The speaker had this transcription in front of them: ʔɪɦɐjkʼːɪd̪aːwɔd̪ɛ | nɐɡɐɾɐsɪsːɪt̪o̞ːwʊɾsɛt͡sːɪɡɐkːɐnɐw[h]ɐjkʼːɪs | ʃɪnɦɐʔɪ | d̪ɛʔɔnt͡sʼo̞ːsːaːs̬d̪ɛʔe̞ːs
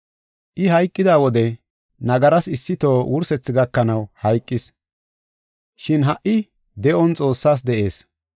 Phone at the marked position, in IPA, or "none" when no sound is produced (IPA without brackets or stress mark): h